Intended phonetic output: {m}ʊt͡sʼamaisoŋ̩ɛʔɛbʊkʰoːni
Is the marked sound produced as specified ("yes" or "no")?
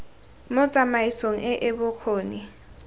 yes